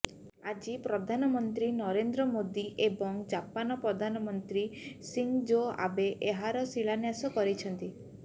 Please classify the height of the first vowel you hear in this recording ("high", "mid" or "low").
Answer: low